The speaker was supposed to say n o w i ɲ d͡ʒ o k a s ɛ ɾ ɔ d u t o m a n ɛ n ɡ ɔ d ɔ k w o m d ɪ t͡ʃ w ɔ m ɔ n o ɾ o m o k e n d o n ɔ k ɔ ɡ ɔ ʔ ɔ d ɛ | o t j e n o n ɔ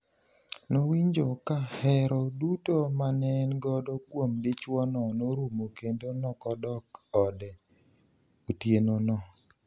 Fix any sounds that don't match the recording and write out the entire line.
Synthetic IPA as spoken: n o w i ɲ d͡ʒ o k a h ɛ ɾ ɔ d u t o m a n ɛ n ɡ ɔ d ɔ k w o m d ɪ t͡ʃ w ɔ n ɔ n o ɾ u m o k e n d o n ɔ k ɔ d ɔ k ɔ d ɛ | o t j e n o n ɔ